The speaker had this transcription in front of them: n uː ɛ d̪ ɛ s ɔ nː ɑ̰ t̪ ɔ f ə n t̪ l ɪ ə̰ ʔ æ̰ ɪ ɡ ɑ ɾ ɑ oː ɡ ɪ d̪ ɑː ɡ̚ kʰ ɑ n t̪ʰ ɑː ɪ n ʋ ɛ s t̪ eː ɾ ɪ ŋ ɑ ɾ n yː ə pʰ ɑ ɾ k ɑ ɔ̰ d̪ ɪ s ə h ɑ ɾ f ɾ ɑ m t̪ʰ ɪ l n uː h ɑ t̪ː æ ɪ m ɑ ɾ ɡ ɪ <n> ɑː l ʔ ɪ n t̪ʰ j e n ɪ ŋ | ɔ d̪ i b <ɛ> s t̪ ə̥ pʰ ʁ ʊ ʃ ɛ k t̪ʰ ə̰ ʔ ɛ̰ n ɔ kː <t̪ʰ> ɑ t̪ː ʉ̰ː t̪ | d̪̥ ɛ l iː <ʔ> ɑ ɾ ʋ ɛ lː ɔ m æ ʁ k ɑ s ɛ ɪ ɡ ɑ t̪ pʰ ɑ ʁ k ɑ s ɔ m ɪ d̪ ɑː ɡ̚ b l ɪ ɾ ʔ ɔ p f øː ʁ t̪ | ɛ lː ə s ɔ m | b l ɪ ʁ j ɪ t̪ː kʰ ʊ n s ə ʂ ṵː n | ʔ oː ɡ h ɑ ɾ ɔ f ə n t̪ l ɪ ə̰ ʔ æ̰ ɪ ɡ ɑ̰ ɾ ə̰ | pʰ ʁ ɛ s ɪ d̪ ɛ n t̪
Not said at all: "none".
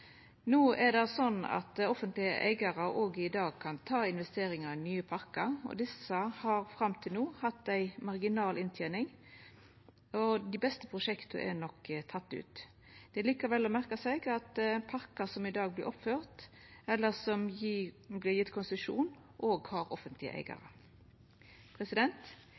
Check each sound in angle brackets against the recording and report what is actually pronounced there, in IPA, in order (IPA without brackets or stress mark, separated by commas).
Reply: n, ɛ, t̪ʰ, k